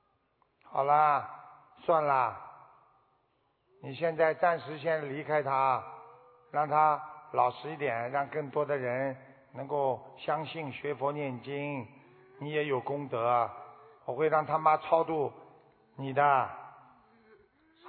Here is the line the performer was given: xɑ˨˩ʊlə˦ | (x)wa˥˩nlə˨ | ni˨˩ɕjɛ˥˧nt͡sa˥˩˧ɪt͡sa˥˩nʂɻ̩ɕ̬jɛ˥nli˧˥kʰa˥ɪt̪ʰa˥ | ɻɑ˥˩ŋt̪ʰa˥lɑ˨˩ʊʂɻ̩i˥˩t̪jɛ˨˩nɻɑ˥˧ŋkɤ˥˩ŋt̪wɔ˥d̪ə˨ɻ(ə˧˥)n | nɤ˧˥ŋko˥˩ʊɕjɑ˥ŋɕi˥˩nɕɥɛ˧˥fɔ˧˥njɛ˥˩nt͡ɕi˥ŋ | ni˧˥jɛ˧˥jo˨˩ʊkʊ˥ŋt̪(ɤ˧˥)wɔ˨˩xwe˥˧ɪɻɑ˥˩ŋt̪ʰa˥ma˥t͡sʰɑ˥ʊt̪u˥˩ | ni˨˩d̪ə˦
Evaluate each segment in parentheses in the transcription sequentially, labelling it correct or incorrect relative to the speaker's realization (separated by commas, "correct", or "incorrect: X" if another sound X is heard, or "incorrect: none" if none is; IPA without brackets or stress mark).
incorrect: s, correct, correct